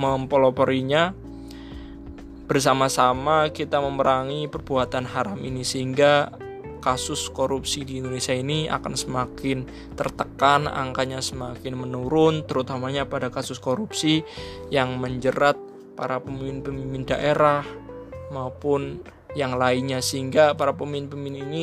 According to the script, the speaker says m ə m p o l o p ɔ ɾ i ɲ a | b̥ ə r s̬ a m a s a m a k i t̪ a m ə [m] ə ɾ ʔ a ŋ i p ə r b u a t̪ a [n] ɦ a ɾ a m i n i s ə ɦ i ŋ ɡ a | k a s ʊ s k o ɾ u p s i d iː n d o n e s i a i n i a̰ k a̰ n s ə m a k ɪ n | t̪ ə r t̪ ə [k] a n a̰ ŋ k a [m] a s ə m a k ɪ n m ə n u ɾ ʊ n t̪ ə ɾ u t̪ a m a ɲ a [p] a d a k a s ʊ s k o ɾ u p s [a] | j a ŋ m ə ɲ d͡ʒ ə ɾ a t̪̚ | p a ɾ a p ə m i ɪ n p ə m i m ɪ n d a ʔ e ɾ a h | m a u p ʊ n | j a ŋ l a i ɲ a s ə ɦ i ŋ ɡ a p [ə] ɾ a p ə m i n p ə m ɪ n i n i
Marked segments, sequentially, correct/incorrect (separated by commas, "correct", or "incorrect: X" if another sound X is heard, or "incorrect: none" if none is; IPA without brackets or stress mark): correct, correct, correct, incorrect: ɲ, correct, incorrect: i, incorrect: a